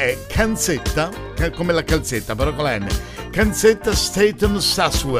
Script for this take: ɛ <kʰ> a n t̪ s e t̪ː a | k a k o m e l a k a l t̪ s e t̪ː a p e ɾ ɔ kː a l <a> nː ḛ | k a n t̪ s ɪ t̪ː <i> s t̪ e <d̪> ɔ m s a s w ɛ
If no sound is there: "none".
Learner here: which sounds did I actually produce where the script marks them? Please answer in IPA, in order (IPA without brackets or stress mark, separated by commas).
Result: kʰ, ɛ, a, t̪